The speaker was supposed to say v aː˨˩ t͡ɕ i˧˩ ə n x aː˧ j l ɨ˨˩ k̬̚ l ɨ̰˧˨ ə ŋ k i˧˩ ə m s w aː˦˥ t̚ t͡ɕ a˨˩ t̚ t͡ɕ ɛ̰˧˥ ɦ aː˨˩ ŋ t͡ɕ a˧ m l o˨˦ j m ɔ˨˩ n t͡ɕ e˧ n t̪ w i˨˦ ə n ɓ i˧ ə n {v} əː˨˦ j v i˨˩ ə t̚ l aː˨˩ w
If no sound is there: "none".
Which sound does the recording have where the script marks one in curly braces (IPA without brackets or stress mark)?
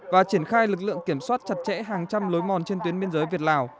z